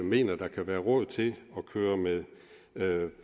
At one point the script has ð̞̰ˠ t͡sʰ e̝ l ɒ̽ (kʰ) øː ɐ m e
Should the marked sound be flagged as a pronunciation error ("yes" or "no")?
no